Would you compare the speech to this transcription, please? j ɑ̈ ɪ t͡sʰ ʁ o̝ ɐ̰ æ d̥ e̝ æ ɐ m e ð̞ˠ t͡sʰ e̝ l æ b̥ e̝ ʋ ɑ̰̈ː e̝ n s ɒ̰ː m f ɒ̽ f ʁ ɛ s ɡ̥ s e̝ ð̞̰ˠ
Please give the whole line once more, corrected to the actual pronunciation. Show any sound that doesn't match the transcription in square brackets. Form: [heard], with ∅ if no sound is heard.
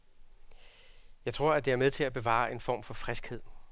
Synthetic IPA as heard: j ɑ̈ ɪ t͡sʰ ʁ o̝ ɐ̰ æ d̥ e̝ æ ɐ m e ð̞ˠ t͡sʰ e̝ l æ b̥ e̝ ʋ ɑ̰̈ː e̝ n [f] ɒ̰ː m f ɒ̽ f ʁ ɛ s ɡ̥ [h] e̝ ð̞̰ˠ